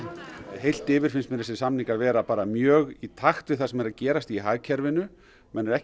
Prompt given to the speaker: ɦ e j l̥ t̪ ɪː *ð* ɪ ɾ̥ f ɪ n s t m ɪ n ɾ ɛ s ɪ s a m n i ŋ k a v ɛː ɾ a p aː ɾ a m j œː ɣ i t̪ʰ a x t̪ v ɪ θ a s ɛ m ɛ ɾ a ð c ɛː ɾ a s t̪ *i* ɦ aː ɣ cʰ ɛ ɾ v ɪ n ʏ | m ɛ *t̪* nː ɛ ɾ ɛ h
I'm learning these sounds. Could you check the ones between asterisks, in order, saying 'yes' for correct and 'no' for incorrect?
no, yes, no

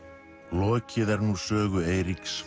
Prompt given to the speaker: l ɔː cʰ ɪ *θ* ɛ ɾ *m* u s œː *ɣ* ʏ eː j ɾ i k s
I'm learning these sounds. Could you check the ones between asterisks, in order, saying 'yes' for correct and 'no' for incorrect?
no, no, yes

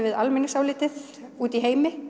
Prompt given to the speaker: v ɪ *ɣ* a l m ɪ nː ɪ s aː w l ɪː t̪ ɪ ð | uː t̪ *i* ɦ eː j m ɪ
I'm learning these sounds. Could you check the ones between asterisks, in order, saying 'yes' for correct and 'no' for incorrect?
no, yes

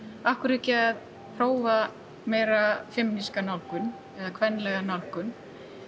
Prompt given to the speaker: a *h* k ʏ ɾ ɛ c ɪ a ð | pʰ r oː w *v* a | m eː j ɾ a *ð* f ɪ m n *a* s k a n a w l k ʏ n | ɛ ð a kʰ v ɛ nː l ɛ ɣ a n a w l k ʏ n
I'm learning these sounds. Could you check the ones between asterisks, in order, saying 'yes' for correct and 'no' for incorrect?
yes, yes, no, no

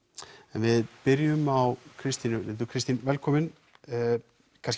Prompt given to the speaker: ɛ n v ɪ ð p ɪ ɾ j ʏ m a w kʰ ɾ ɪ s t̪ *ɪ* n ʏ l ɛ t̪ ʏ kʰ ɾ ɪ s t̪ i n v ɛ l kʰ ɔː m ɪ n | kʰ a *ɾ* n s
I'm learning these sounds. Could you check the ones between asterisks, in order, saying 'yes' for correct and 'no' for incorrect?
no, no

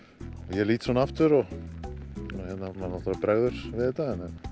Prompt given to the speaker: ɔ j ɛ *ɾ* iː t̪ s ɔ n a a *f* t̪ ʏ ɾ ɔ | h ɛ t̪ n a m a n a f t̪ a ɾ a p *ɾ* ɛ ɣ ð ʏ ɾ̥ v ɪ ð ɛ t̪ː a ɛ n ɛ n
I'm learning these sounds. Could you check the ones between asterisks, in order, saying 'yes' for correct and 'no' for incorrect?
no, yes, yes

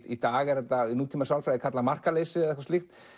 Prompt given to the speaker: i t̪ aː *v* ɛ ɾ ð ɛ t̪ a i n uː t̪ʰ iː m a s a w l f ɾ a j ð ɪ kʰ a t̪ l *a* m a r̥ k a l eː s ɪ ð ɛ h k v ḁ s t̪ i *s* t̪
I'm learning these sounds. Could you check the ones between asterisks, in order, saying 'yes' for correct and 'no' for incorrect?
no, yes, no

